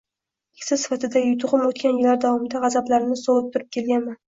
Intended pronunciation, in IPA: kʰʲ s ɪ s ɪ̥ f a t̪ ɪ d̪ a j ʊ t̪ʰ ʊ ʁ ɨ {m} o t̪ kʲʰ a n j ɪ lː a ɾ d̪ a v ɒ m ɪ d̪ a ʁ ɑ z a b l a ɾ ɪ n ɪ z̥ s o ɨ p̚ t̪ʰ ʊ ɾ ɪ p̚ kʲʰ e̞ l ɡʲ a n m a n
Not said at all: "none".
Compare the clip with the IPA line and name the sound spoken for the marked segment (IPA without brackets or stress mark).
m